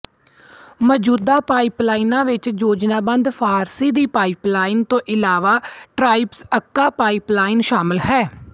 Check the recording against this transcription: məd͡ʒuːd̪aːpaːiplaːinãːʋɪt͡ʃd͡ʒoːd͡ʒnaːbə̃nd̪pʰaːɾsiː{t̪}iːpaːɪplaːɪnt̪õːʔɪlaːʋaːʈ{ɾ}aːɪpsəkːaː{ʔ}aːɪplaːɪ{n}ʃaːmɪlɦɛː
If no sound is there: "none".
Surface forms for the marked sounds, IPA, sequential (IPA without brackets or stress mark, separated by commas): d̪, ɾ, p, n